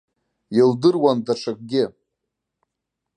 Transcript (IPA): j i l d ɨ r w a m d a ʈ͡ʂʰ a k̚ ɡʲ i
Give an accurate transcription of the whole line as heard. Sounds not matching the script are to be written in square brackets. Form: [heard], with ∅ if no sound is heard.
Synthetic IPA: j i l d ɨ r w a [n] d a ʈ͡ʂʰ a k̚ ɡʲ [ɪ]